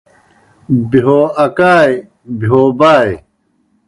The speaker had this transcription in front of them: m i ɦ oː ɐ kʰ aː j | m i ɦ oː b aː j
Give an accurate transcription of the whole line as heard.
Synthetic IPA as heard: b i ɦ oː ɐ k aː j | b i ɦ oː b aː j